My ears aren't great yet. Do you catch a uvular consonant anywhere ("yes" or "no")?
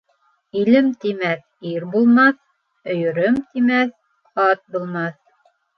no